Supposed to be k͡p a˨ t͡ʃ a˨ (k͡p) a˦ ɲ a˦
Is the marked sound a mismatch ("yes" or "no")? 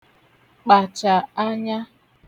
yes